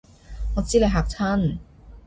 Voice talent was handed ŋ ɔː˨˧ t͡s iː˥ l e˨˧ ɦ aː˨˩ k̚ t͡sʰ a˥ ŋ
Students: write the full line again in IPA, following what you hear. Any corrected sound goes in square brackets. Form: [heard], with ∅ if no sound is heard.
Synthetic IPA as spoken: ŋ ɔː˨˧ t͡s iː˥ l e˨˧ ɦ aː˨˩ k̚ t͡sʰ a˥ [n]